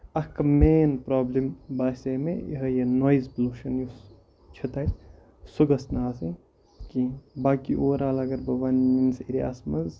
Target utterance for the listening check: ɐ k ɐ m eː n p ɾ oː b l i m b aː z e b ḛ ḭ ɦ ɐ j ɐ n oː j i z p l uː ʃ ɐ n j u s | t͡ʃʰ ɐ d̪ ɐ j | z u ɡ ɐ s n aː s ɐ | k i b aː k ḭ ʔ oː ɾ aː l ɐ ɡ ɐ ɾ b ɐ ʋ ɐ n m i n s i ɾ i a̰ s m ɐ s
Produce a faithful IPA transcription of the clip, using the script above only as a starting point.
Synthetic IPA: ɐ k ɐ m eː n p ɾ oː b l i m b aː s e m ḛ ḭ ɦ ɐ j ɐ n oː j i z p l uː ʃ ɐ n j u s | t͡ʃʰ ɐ t̪ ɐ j | s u ɡ ɐ s n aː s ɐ | k i b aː k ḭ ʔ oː ɾ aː l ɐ ɡ ɐ ɾ b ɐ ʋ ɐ n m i n s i ɾ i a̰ s m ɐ z